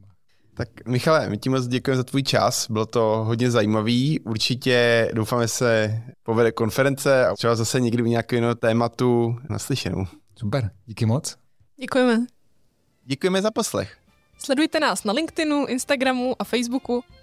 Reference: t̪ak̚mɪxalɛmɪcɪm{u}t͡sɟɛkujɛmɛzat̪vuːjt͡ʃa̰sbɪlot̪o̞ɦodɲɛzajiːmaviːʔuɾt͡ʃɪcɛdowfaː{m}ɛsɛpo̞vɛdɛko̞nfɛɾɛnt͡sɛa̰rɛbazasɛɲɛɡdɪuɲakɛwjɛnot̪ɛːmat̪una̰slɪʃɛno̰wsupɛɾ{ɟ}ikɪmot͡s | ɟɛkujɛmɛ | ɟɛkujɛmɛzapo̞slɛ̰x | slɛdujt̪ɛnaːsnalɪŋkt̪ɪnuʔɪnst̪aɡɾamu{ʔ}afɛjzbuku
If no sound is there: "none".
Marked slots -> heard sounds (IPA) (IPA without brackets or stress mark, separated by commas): o, m, ɟ, ʔ